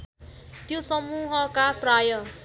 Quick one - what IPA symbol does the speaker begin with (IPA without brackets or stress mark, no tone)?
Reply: t̪